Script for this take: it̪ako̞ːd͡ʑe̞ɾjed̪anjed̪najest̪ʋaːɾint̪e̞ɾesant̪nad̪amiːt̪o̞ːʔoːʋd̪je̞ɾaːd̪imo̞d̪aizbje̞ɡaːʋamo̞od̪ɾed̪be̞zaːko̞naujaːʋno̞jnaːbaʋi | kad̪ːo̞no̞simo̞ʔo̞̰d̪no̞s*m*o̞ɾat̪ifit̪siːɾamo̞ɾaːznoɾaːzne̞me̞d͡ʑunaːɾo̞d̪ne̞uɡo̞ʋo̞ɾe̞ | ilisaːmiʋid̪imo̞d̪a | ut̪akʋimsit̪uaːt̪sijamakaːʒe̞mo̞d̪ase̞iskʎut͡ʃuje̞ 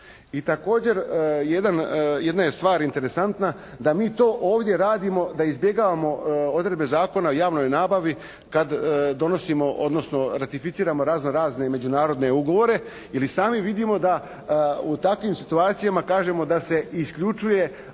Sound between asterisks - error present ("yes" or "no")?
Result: yes